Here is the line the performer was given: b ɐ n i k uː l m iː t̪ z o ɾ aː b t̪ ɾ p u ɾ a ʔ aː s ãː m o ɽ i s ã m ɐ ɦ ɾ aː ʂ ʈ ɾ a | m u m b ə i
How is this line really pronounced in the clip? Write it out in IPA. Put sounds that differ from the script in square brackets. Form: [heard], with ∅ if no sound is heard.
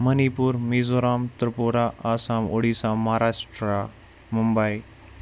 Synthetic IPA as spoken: [m] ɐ n i [p] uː [ɾ] m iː [∅] z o ɾ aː [m] t̪ ɾ p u ɾ a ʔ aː s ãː m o ɽ i s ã m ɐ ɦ ɾ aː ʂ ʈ ɾ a | m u m b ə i